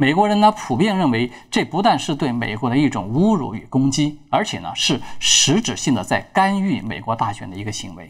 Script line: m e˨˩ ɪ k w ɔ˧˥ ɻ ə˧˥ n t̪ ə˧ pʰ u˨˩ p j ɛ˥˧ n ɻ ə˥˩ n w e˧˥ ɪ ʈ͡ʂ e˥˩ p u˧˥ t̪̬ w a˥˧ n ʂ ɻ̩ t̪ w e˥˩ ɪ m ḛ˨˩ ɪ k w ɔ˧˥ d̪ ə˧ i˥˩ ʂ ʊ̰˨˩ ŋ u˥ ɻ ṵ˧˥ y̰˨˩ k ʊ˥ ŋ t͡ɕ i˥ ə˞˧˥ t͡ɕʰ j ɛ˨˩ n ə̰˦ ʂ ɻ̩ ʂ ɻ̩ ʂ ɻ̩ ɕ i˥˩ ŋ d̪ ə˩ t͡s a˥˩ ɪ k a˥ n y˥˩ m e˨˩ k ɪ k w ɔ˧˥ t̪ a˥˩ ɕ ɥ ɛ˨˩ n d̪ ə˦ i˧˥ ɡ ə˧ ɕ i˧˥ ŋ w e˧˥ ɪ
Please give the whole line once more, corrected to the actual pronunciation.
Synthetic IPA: m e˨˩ ɪ k w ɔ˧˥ ɻ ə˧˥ n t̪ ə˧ pʰ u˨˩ p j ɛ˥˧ n ɻ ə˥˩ n w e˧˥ ɪ ʈ͡ʂ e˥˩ p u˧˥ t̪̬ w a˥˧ n ʂ ɻ̩ t̪ w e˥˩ ɪ m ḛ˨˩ ɪ k w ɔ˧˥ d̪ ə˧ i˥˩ ʈ͡ʂ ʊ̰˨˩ ŋ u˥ ɻ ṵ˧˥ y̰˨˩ k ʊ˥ ŋ t͡ɕ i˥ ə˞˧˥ t͡ɕʰ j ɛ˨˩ n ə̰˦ ʂ ɻ̩ ʂ ɻ̩ ʈ͡ʂ ɻ̩ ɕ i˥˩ ŋ d̪ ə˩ t͡s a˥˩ ɪ k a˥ n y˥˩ m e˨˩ ɪ k w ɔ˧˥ t̪ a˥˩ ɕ ɥ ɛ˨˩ n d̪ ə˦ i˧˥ ɡ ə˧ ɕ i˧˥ ŋ w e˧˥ ɪ